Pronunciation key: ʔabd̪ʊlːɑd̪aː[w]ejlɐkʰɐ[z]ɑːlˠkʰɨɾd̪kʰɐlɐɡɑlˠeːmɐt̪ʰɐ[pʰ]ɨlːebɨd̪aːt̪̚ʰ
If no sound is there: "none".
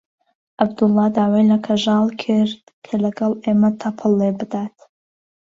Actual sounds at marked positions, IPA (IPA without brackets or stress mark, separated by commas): w, ʒ, pʰ